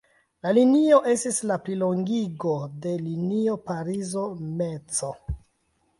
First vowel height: low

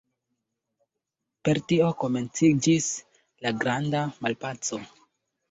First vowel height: mid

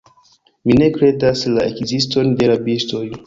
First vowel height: high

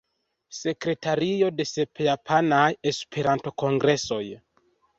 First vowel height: mid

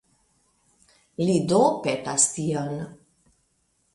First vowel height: high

